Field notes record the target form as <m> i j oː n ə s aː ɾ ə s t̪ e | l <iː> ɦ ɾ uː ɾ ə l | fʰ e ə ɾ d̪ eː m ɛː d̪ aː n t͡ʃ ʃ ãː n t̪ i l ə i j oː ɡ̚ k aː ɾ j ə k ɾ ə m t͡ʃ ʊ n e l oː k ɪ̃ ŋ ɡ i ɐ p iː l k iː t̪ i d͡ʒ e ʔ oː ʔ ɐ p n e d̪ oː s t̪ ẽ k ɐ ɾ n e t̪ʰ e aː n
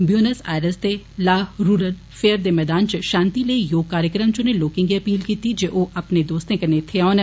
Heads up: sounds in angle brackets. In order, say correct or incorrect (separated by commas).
incorrect, incorrect